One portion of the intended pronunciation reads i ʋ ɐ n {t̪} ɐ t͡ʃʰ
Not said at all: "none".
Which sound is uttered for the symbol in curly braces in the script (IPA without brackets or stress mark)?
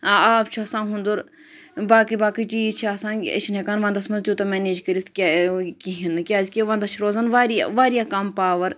d̪